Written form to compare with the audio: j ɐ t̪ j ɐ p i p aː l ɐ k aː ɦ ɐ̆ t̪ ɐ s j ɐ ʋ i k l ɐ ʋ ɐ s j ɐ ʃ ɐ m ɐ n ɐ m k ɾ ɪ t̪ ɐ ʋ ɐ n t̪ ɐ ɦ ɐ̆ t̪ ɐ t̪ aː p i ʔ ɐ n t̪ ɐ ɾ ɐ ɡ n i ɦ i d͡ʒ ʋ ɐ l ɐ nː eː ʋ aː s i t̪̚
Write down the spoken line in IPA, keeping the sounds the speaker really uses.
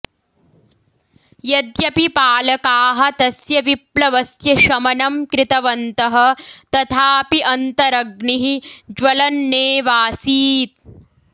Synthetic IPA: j ɐ d̪ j ɐ p i p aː l ɐ k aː ɦ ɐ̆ t̪ ɐ s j ɐ ʋ i p l ɐ ʋ ɐ s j ɐ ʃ ɐ m ɐ n ɐ m k ɾ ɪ t̪ ɐ ʋ ɐ n t̪ ɐ ɦ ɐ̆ t̪ ɐ t̪ʰ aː p i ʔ ɐ n t̪ ɐ ɾ ɐ ɡ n i ɦ i d͡ʒ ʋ ɐ l ɐ nː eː ʋ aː s iː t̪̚